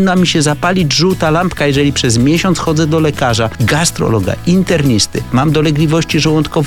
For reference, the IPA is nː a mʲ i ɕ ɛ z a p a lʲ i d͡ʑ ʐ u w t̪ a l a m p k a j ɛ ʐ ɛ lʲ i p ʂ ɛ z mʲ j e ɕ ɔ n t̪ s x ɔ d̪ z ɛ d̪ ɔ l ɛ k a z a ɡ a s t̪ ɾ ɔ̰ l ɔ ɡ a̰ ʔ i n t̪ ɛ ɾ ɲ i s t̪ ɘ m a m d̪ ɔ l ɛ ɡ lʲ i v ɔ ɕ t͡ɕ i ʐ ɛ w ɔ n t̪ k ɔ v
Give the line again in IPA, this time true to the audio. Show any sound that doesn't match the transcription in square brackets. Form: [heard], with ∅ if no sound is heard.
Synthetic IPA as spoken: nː a mʲ i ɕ ɛ z a p a lʲ i d͡ʑ ʐ u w t̪ a l a m p k a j ɛ ʐ ɛ lʲ i p ʂ ɛ z mʲ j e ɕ ɔ n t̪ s x ɔ d̪ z ɛ d̪ ɔ l ɛ k a [ʐ] a ɡ a s t̪ ɾ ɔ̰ l ɔ ɡ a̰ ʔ i n t̪ ɛ ɾ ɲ i s t̪ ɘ m a m d̪ ɔ l ɛ ɡ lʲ i v ɔ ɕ t͡ɕ i ʐ ɛ w ɔ n t̪ k ɔ v